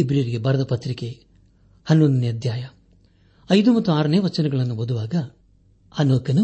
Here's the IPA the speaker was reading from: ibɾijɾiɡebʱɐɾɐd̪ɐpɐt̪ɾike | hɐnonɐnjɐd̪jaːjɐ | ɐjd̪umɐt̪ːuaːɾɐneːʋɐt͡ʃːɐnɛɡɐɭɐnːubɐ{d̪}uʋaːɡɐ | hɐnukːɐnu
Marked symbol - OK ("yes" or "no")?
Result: yes